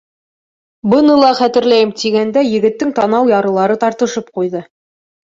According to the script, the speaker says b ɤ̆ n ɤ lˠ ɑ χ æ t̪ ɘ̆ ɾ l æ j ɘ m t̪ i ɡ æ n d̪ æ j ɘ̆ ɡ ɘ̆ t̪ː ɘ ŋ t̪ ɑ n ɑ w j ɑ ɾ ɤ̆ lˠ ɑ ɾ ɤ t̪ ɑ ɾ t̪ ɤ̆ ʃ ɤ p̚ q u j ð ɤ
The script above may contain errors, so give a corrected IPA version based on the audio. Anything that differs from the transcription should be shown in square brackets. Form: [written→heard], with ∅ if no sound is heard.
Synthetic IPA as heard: b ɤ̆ n ɤ lˠ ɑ χ æ t̪ ɘ̆ ɾ l æ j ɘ m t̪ i ɡ æ n d̪ æ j ɘ̆ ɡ ɘ̆ t̪ː ɘ ŋ t̪ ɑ n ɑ w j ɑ ɾ ɤ̆ lˠ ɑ ɾ ɤ t̪ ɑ ɾ t̪ ɤ̆ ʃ ɤ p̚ q u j ð ɤ